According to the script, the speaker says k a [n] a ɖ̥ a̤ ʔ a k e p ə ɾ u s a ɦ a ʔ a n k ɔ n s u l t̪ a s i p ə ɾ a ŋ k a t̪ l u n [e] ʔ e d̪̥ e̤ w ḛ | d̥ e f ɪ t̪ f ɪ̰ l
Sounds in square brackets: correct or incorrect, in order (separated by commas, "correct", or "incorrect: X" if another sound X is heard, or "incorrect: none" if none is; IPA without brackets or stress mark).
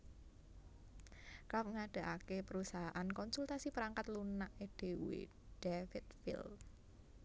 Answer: incorrect: ŋ, incorrect: a